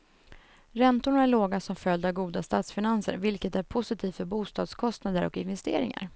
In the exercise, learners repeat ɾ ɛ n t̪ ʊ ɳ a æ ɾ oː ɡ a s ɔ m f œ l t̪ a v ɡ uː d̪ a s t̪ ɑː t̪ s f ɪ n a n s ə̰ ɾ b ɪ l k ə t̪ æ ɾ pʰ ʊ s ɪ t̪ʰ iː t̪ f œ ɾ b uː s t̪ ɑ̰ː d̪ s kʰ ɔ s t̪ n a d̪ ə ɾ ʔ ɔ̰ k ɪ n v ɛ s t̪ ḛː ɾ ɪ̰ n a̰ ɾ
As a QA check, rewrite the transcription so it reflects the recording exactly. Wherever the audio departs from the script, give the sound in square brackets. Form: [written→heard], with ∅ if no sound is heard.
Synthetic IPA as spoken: ɾ ɛ n t̪ ʊ ɳ a æ [ɾ→ɭ] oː ɡ a s ɔ m f œ l [t̪→d̪] a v ɡ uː d̪ a s t̪ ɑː t̪ s f ɪ n a n s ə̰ ɾ [b→v] ɪ l k ə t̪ æ ɾ pʰ ʊ s ɪ t̪ʰ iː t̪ f œ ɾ b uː s t̪ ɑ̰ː d̪ s kʰ ɔ s t̪ n a d̪ ə ɾ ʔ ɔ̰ k ɪ n v ɛ s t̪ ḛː ɾ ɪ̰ [n→ŋ] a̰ ɾ

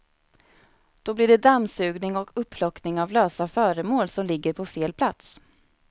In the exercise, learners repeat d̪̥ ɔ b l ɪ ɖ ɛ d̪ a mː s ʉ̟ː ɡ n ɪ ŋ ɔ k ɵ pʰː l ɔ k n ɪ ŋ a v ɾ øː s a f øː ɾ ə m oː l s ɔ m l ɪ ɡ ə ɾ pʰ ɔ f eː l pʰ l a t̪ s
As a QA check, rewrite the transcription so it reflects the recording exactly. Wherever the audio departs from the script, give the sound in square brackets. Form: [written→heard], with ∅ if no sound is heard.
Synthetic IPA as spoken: d̪̥ ɔ b l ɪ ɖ ɛ d̪ a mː s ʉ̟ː ɡ n ɪ ŋ ɔ k ɵ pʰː l ɔ k n ɪ ŋ a v [ɾ→l] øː s a f [øː→œː] ɾ ə m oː l s ɔ m l ɪ [ɡ→ɡː] ə ɾ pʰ ɔ f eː l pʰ l a t̪ s

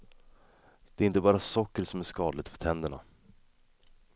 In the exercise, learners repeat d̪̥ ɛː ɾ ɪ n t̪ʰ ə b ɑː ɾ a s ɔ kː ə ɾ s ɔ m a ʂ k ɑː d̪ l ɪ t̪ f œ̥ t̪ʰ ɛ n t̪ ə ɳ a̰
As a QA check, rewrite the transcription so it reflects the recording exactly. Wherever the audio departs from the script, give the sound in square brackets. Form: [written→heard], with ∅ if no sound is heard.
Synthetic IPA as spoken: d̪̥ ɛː ɾ ɪ n [t̪ʰ→t̪] ə b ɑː ɾ a s ɔ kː ə ɾ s ɔ m [a→æ] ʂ k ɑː d̪ l ɪ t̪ f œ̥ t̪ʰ ɛ n [t̪→d̪] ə ɳ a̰

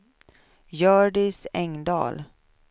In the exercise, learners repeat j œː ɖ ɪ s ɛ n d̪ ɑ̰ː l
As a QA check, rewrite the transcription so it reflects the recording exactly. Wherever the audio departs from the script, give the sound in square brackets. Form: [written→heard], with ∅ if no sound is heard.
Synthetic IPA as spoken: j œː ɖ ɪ s ɛ [n→ŋ] d̪ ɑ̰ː l

